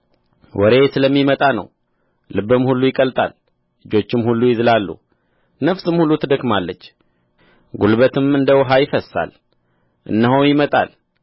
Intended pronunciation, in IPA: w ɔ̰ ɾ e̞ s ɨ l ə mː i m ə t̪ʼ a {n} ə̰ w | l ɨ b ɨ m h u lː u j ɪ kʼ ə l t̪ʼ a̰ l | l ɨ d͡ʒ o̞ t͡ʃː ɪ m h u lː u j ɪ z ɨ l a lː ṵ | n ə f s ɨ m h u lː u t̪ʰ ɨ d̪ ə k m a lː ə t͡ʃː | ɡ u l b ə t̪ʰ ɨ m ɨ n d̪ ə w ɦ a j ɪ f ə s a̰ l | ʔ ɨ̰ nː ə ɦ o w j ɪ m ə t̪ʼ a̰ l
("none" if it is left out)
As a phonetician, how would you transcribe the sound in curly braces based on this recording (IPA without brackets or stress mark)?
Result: n